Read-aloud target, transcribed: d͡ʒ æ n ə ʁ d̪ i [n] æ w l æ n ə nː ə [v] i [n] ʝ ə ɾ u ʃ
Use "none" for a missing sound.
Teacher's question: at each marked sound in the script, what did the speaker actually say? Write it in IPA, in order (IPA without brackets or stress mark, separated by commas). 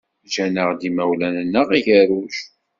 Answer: m, ʁ, none